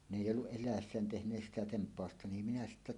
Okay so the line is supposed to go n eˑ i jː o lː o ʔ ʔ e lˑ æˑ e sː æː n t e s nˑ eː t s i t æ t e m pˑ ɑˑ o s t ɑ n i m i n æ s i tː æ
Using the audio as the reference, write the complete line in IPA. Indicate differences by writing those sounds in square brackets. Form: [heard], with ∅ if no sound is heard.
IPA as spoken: n eˑ i jː o lː [u] ʔ ʔ e lˑ æˑ e sː æː n t e [h] nˑ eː [s] s i t æ t e m pˑ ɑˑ o s t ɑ n i m i n æ s i tː æ